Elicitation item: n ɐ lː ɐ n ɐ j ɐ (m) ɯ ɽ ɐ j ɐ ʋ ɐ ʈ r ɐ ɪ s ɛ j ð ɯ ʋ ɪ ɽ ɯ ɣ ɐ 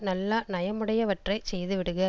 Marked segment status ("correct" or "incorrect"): correct